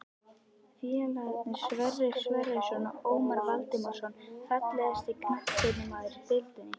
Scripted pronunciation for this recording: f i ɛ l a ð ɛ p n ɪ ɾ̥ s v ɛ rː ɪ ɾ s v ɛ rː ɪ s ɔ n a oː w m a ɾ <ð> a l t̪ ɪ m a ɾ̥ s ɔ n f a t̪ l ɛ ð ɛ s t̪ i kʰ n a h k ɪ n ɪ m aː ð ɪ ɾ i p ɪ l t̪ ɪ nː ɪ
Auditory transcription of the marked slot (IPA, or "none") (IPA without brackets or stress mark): v